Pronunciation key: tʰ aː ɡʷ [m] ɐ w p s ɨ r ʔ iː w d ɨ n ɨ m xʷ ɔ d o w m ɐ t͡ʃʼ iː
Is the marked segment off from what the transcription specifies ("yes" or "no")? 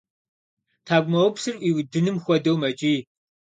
no